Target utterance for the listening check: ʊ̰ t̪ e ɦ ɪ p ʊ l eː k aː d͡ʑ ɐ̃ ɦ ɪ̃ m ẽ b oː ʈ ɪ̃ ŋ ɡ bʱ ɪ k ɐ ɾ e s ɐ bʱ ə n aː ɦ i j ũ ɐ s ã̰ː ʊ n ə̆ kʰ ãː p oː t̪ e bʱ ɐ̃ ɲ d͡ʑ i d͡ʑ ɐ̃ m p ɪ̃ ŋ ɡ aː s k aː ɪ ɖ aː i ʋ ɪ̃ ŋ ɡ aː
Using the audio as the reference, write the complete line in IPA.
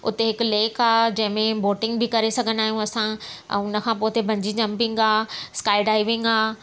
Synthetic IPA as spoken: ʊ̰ t̪ e ɦ ɪ k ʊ l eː k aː d͡ʑ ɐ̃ ɦ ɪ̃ m ẽ b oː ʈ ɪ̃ ŋ ɡ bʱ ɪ k ɐ ɾ e s ɐ ɡʱ ə n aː ɦ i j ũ ɐ s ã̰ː ʊ n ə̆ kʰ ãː p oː t̪ e bʱ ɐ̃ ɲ d͡ʑ i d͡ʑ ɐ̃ m p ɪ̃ ŋ ɡ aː s k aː ɪ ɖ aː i ʋ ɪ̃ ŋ ɡ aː